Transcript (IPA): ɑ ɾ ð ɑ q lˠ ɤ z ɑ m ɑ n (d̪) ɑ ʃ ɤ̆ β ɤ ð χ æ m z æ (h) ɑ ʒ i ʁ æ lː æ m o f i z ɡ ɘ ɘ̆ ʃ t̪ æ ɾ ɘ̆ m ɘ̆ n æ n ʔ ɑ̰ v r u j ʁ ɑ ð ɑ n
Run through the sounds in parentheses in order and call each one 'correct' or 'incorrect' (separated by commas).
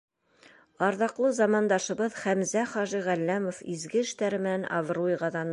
correct, incorrect